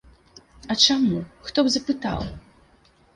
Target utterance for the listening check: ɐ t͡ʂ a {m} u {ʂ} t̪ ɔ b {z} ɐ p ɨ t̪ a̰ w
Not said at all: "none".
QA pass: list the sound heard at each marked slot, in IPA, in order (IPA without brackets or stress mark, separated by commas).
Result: m, x, z